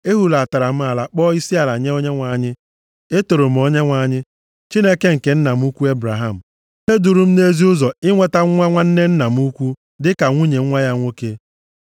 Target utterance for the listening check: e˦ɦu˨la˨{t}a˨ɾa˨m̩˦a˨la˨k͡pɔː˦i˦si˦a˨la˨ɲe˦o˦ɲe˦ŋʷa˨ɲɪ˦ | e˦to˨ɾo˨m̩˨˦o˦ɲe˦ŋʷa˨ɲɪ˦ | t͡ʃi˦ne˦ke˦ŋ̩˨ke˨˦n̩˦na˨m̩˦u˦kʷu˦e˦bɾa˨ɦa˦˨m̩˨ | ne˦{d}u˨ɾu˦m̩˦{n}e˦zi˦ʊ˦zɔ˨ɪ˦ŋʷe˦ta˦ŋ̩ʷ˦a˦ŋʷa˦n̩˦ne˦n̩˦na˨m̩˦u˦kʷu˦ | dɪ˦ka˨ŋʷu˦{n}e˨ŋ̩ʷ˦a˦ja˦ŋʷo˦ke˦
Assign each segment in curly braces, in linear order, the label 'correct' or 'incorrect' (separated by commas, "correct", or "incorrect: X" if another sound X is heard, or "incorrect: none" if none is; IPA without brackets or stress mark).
correct, correct, correct, incorrect: ɲ